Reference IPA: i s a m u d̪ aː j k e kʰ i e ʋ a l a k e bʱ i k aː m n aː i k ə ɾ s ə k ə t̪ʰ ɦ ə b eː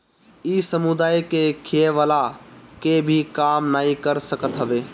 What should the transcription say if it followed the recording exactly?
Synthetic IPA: i s ə m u d̪ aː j k e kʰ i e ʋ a l a k e bʱ i k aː m n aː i k ə ɾ s ə k ə t̪ ɦ ə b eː